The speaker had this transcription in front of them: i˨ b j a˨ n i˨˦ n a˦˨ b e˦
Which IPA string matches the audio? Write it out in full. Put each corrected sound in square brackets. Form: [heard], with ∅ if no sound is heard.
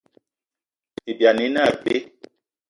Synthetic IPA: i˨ b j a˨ n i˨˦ n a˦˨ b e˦